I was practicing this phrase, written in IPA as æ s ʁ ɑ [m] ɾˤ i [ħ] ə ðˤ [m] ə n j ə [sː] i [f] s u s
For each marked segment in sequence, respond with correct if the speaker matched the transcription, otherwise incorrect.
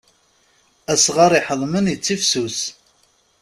incorrect: none, correct, correct, incorrect: t͡sː, correct

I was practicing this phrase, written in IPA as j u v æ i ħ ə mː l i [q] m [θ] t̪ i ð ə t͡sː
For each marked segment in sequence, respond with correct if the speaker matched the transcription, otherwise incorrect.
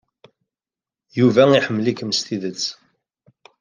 incorrect: k, incorrect: s

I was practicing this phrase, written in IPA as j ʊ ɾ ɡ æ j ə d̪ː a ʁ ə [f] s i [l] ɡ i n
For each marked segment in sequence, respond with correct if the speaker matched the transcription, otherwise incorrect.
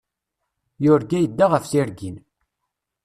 correct, incorrect: ɾ

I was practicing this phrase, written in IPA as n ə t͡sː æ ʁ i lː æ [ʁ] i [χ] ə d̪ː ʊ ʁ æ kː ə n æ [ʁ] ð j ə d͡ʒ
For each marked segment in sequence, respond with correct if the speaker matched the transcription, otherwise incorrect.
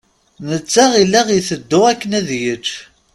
correct, incorrect: θ, incorrect: none

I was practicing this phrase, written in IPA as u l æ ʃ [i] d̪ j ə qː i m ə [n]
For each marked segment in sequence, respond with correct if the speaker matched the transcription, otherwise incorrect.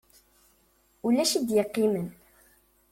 correct, correct

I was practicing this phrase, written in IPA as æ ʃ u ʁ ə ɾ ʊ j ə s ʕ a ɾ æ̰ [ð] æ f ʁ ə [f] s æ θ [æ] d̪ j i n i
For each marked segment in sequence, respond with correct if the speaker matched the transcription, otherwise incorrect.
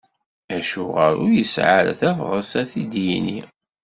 incorrect: θ, incorrect: none, incorrect: i

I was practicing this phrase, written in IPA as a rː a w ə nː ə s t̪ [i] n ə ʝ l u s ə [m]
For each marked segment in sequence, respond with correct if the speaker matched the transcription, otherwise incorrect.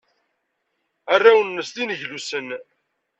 correct, incorrect: n

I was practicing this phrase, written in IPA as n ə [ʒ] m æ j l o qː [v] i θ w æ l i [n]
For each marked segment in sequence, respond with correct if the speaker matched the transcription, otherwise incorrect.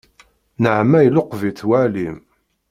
incorrect: ʕ, correct, incorrect: m

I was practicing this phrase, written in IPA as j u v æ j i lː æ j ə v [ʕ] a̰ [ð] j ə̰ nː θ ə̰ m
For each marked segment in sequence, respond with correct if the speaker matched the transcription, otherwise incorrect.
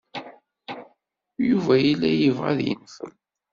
incorrect: ʁ, correct

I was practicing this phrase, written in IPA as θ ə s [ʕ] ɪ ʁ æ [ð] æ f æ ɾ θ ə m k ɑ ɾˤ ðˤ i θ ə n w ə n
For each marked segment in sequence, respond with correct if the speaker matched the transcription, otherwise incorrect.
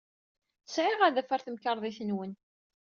correct, correct

